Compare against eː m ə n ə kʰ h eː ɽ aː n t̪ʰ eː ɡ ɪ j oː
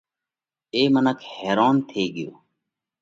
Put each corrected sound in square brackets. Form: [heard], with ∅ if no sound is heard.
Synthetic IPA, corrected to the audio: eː m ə n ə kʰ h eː [ɾ] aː n t̪ʰ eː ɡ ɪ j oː

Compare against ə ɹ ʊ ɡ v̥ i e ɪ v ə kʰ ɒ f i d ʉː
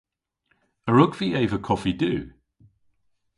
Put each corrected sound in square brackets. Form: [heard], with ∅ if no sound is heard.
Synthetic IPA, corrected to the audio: ə ɹ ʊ ɡ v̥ i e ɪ v ə kʰ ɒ f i d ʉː

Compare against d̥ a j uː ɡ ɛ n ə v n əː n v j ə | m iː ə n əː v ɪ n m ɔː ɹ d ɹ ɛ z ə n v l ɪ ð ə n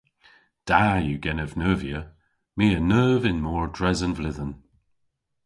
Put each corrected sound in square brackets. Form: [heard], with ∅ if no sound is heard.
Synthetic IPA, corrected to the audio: d̥ a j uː ɡ ɛ n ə v n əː [∅] v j ə | m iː ə n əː v ɪ n m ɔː ɹ d ɹ ɛ z ə n v l ɪ ð ə n

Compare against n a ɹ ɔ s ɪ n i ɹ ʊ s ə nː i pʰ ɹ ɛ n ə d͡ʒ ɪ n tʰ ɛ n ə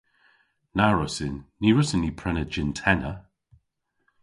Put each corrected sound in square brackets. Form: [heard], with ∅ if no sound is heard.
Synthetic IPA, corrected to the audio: n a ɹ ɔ s ɪ [nː] i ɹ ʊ s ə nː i pʰ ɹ ɛ n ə d͡ʒ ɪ n tʰ ɛ n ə

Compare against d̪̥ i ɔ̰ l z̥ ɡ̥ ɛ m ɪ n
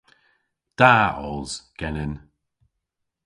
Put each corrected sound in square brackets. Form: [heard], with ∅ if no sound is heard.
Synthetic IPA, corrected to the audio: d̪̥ [a] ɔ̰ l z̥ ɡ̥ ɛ [n] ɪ n

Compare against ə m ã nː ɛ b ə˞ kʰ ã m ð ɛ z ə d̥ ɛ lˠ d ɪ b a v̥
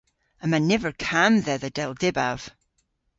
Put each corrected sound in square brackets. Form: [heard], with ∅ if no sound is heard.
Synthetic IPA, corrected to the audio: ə m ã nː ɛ [v] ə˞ kʰ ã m ð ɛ [ð] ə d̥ ɛ lˠ d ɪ b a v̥

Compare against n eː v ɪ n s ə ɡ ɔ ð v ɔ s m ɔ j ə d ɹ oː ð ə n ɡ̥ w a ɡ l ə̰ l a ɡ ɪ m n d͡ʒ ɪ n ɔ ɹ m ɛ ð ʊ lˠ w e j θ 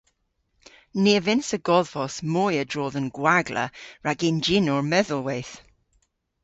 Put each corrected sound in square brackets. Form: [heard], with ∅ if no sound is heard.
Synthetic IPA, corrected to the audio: n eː v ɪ n s ə ɡ ɔ ð v ɔ s m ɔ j ə d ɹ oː ð ə n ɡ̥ w a ɡ l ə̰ [ɹ] a ɡ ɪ [∅] n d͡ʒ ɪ n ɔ ɹ m ɛ ð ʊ lˠ w e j θ

